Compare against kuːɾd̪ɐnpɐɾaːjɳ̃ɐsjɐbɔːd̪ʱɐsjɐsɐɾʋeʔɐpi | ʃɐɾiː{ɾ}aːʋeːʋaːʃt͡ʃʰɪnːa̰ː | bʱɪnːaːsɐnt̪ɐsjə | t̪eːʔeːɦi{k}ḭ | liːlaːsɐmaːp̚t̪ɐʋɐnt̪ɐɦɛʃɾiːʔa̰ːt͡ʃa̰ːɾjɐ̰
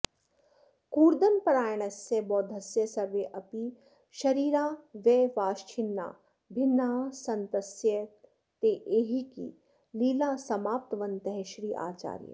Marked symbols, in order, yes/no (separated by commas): yes, yes